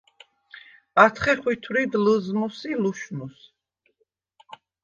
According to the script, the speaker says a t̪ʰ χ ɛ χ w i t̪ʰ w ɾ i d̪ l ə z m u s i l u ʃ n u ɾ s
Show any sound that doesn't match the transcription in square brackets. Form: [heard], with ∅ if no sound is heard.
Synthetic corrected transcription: a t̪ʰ χ ɛ χ w i t̪ʰ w ɾ i d̪ l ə z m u s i l u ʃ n u [∅] s

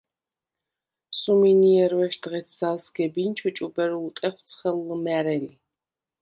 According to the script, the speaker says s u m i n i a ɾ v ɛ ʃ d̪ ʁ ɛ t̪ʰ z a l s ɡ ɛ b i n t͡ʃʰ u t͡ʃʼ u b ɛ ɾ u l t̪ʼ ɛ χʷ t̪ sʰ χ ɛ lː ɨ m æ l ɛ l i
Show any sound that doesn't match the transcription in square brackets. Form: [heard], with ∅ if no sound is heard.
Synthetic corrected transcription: s u m i n i [ɛ] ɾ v ɛ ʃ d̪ ʁ ɛ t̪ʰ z a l s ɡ ɛ b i n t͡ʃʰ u t͡ʃʼ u b ɛ ɾ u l t̪ʼ ɛ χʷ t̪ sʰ χ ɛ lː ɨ m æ [ɾ] ɛ l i

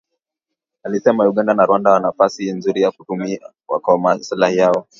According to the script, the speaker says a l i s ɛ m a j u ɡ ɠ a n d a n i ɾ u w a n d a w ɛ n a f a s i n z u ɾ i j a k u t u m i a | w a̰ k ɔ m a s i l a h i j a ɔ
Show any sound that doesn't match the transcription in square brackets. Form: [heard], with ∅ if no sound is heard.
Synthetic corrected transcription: a l i s ɛ m a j u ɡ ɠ a n d a n [a] ɾ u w a n d a w [a] n a f a s i n z u ɾ i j a k u t u m i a | w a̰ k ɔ m a s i l a h i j a ɔ

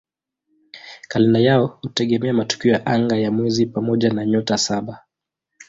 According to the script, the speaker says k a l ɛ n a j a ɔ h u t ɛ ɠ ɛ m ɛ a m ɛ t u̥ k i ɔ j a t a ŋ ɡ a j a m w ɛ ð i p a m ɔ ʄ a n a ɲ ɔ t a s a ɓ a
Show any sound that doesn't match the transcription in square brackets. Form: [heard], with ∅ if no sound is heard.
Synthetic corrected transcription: k a l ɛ n a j a ɔ h u t ɛ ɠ ɛ m ɛ a m [a] t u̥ k i ɔ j a [ʔ] a ŋ ɡ a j a m w ɛ [z] i p a m ɔ ʄ a n a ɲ ɔ t a s a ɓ a

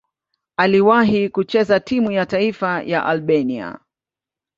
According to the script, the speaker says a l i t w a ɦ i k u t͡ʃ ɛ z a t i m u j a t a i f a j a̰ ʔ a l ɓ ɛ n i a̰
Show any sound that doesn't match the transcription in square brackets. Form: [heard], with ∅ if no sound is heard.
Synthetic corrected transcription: a l i [∅] w a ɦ i k u t͡ʃ ɛ z a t i m u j a t a i f a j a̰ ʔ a l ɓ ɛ n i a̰

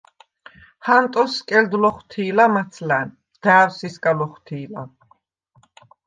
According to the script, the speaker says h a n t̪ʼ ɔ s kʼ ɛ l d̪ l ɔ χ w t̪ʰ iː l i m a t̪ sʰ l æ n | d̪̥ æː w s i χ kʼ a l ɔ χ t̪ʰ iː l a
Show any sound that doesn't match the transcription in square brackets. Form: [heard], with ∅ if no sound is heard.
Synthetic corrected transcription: h a n t̪ʼ ɔ s kʼ ɛ l d̪ l ɔ χ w t̪ʰ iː l [a] m a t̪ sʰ l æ n | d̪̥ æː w s i [s] kʼ a l ɔ χ t̪ʰ iː l a

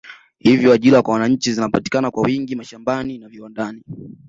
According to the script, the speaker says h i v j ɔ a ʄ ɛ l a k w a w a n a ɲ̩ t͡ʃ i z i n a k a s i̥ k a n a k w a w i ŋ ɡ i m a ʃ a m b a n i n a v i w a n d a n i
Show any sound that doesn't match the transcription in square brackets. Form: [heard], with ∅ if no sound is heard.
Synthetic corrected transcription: h i v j ɔ a ʄ [i] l a k w a w a n a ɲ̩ t͡ʃ i z i n a [p] a [t] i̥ k a n a k w a w i ŋ ɡ i m a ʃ a m b a n i n a v i w a n d a n i

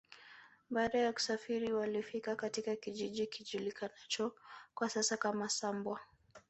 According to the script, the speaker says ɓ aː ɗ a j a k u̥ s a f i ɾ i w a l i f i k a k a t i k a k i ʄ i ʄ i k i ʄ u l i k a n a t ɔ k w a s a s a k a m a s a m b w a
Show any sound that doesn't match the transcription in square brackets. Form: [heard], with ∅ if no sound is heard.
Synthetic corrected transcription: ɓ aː ɗ a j a k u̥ s a f i ɾ i w a l i f i k a k a t i k a k i ʄ i ʄ i k i ʄ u l i k a n a [t͡ʃ] ɔ k w a s a s a k a m a s a m b w a

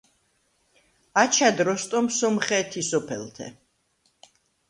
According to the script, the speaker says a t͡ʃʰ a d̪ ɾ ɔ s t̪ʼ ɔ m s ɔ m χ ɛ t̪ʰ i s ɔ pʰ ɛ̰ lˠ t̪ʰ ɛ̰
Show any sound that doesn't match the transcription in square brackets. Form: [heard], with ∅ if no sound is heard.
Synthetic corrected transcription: a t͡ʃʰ a d̪ ɾ ɔ s t̪ʼ ɔ m s ɔ m χ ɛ t̪ʰ i s ɔ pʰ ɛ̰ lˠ t̪ʰ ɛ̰

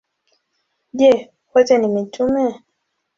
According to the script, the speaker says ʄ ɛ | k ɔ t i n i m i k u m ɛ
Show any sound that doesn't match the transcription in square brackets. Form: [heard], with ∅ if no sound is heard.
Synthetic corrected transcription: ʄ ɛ | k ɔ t [ɛ] n i m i [t] u m ɛ

